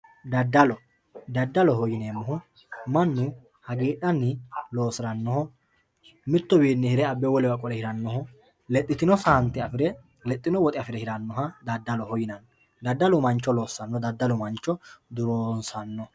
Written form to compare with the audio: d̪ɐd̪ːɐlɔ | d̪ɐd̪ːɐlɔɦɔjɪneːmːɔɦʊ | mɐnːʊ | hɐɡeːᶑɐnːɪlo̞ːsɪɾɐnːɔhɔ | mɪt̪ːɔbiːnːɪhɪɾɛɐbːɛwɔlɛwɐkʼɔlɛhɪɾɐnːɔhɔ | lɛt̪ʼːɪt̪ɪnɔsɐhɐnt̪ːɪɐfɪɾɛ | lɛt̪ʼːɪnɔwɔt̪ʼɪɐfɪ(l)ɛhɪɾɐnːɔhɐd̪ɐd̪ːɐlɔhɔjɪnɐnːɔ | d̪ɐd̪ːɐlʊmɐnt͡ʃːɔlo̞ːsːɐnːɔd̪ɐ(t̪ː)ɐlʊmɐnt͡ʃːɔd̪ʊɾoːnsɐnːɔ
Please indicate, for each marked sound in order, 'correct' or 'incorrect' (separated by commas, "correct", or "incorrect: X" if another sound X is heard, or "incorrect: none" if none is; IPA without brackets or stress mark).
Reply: incorrect: ɾ, incorrect: d̪ː